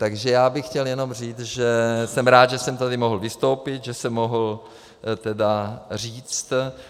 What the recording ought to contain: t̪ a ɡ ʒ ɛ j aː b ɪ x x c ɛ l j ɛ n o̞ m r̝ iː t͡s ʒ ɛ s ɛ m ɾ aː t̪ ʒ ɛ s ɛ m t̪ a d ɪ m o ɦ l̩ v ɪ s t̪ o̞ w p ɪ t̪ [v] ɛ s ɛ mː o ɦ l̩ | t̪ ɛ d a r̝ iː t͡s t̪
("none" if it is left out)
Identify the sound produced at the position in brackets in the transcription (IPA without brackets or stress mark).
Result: ʒ